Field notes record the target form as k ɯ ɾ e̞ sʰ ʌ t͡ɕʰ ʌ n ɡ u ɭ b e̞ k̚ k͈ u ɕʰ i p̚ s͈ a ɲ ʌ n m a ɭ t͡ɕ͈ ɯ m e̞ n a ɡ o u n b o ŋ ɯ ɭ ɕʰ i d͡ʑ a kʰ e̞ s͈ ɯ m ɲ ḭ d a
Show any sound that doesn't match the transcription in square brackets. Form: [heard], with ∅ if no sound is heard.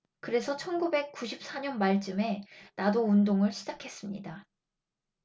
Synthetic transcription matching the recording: k ɯ ɾ e̞ sʰ ʌ t͡ɕʰ ʌ n ɡ u [∅] b e̞ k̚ k͈ u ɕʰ i p̚ s͈ a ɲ ʌ n m a ɭ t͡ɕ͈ ɯ m e̞ n a [d] o u n [d] o ŋ ɯ ɭ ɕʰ i d͡ʑ a kʰ e̞ s͈ ɯ m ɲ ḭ d a